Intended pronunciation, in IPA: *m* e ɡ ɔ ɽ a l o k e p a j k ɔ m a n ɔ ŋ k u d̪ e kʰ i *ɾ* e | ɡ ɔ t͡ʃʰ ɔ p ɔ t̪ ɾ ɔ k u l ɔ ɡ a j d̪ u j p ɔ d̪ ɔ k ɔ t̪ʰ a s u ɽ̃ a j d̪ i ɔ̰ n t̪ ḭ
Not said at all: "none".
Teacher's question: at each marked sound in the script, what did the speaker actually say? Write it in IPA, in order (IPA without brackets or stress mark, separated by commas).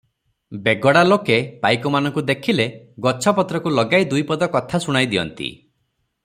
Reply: b, l